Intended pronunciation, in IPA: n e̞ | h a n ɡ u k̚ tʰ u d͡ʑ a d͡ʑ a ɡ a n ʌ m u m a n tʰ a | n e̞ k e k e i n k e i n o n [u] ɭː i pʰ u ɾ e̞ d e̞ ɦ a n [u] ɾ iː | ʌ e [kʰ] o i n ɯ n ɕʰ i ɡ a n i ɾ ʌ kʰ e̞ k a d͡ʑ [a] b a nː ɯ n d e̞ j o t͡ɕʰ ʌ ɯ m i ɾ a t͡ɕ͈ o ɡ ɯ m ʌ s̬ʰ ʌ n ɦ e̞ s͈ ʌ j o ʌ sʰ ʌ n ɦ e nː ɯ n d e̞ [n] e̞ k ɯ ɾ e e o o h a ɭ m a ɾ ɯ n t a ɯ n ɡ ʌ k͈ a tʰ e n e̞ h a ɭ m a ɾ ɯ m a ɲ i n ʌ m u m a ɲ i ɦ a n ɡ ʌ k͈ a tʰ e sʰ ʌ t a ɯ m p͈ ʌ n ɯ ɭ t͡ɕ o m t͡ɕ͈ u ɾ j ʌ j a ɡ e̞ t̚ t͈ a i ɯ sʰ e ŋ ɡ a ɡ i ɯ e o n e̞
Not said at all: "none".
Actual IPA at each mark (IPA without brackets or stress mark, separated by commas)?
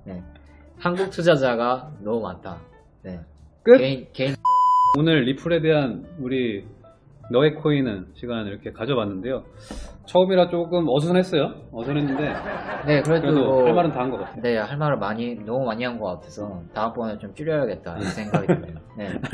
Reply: ɯ, u, kʰ, ʌ, n